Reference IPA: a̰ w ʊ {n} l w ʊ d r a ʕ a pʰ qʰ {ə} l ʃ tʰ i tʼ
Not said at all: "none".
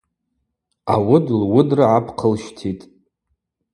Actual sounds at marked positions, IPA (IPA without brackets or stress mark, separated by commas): d, ə